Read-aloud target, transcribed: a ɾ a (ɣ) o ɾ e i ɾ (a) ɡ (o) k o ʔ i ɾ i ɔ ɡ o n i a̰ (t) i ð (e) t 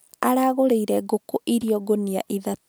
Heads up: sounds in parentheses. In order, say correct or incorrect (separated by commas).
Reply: correct, incorrect, correct, incorrect, incorrect